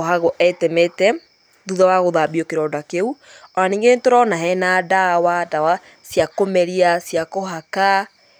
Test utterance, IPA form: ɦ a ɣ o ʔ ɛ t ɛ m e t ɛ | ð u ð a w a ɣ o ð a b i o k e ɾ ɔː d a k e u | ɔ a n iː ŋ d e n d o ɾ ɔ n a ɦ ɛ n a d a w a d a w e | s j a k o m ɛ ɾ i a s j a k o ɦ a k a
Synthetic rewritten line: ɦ a ɣ o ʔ ɛ t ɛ m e t ɛ | ð u ð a w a ɣ o ð a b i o k e ɾ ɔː d a k e u | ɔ a n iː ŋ ɡ e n t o ɾ ɔ n a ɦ ɛ n a d a w a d a w a | s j a k o m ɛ ɾ i a s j a k o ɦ a k a

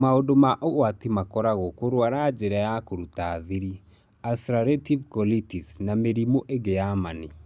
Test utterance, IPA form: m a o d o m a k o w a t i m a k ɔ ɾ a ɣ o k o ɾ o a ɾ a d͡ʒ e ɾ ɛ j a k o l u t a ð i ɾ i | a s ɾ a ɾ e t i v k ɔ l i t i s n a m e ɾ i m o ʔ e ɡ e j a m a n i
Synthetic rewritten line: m a o d o m a ʔ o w a t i m a k ɔ ɾ a ɣ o k o ɾ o a ɾ a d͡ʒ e ɾ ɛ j a k o ɾ u t a ð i ɾ i | a s ɾ a ɾ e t i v k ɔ l i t i s n a m e ɾ i m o ʔ e ɡ e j a m a n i

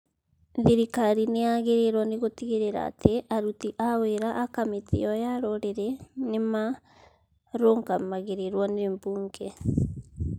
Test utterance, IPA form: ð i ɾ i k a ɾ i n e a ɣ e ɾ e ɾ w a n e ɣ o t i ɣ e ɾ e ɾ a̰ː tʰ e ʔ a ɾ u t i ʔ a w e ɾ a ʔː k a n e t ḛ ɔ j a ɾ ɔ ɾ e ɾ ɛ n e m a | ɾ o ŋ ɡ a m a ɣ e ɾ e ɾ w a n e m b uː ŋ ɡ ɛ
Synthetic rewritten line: ð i ɾ i k a ɾ i n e a ɣ e ɾ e ɾ w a n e ɣ o t i ɣ e ɾ e ɾ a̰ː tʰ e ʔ a ɾ u t i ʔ a w e ɾ a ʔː k a m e t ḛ ɔ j a ɾ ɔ ɾ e ɾ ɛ n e m a | ɾ o ŋ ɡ a m a ɣ e ɾ e ɾ w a n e m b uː ŋ ɡ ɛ

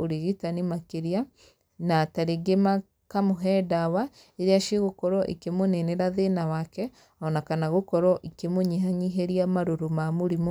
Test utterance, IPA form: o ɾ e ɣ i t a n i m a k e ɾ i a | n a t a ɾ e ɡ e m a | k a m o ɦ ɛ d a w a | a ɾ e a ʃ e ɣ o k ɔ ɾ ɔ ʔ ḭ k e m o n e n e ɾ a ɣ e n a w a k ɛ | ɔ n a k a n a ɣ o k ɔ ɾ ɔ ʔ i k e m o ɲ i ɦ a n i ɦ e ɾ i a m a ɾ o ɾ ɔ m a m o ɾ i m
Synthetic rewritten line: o ɾ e ɣ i t a n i m a k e ɾ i a | n a t a ɾ e ɡ e m a | k a m o ɦ ɛ d a w a | e ɾ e a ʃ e ɣ o k ɔ ɾ ɔ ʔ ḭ k e m o n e n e ɾ a ð e n a w a k ɛ | ɔ n a k a n a ɣ o k ɔ ɾ ɔ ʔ i k e m o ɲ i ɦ a ɲ i ɦ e ɾ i a m a ɾ o ɾ o m a m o ɾ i m

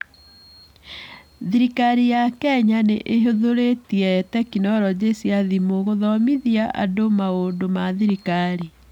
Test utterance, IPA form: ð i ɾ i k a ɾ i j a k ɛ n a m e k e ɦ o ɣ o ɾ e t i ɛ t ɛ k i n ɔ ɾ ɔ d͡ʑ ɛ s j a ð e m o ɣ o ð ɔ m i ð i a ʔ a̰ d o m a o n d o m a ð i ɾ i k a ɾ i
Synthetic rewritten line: ð i ɾ i k a ɾ i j a k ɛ ɲ a n e ʔ e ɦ o ð o ɾ e t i ɛ t ɛ k i n ɔ ɾ ɔ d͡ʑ e s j a ð i m o ɣ o ð ɔ m i ð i a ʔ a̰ d o m a o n d o m a ð i ɾ i k a ɾ i

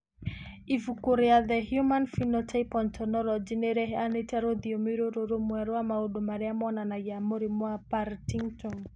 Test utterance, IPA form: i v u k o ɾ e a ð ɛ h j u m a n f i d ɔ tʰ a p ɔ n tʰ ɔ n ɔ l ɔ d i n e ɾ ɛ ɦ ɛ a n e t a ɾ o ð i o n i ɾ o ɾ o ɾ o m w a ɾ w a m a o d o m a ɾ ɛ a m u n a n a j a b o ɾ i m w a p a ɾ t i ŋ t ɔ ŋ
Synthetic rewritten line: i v u k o ɾ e a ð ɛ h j u m a n f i n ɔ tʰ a p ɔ n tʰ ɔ n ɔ l ɔ d͡ʒ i n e ɾ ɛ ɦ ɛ a n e t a ɾ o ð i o m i ɾ o ɾ o ɾ o m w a ɾ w a m a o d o m a ɾ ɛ a m ɔ n a n a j a m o ɾ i m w a p a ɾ t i ŋ t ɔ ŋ

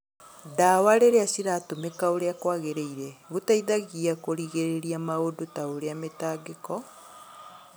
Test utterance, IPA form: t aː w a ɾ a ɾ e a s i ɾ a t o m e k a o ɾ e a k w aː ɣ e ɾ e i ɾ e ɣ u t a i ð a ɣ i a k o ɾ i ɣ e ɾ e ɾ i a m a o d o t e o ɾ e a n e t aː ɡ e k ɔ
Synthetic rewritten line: d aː w a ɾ e ɾ e a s i ɾ a t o m e k a o ɾ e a k w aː ɣ e ɾ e i ɾ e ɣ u t a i ð a ɣ i a k o ɾ i ɣ e ɾ e ɾ i a m a o d o t a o ɾ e a m e t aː ɡ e k ɔ

